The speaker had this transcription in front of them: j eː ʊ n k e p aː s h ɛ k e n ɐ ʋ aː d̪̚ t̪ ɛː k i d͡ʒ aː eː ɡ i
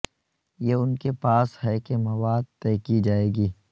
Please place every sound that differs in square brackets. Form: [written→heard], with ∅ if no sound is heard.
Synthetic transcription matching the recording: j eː ʊ n k e p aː s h ɛ k e [n→m] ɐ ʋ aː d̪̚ t̪ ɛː k i d͡ʒ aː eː ɡ [i→iː]